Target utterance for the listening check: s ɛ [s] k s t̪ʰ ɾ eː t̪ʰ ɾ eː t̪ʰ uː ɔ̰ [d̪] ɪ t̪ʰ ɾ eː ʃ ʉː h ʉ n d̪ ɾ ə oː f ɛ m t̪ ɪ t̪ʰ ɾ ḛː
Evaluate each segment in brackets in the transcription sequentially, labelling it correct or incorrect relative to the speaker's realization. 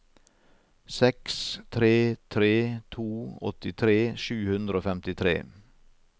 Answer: incorrect, incorrect

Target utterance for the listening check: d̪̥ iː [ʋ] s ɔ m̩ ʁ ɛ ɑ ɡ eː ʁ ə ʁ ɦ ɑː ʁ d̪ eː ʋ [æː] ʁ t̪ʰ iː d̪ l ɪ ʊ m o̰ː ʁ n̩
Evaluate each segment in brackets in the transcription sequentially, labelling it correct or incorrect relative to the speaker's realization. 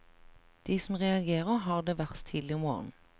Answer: incorrect, incorrect

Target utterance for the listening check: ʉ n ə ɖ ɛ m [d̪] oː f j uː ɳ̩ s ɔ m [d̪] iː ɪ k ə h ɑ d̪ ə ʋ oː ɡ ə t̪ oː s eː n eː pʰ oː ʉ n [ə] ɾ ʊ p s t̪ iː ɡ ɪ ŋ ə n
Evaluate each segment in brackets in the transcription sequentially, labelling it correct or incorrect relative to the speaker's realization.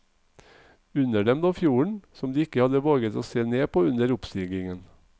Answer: correct, correct, correct

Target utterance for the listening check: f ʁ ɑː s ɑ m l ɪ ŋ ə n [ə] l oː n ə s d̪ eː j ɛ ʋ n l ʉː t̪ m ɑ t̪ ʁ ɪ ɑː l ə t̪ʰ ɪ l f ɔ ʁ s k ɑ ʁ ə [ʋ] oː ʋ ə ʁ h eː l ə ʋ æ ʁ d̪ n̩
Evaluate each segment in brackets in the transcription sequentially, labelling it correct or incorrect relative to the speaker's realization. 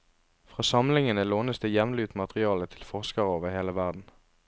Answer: correct, incorrect

